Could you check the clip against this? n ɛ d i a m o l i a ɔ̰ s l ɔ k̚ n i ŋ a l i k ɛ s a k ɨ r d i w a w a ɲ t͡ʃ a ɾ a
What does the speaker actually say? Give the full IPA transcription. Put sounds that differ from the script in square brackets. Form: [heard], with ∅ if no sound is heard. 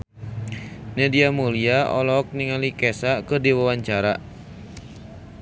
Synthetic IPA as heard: n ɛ d i a m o l i a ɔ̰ [∅] l ɔ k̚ n i ŋ a l i k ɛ s a k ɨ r d i w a w a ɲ t͡ʃ a ɾ a